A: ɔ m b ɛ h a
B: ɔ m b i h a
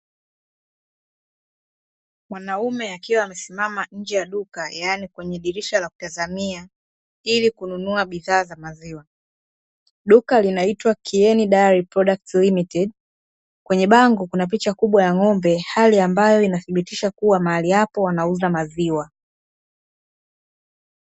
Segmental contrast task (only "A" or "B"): A